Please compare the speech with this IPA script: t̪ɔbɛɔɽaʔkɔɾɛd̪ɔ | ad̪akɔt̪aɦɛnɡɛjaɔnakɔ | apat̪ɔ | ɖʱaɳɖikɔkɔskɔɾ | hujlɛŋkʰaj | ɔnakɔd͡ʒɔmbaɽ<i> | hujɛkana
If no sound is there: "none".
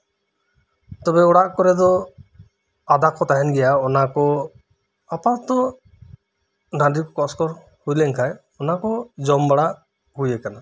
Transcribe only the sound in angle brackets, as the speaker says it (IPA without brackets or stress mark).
a